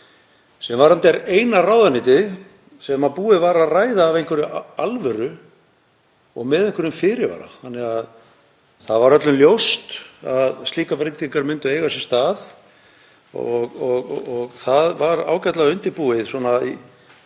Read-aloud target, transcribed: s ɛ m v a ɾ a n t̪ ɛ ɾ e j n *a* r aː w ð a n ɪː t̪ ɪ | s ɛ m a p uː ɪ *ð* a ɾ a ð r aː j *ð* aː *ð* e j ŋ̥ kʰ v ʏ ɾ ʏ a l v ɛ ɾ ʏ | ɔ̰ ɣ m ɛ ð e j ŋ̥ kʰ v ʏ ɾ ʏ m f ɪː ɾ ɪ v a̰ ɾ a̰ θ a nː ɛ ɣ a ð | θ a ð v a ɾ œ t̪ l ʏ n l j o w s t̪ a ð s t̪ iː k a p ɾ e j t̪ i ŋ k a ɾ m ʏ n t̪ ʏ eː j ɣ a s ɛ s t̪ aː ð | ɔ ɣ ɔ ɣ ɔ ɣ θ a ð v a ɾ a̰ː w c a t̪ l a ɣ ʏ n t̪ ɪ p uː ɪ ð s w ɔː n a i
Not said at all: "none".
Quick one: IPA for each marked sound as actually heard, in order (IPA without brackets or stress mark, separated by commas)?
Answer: a, v, ð, v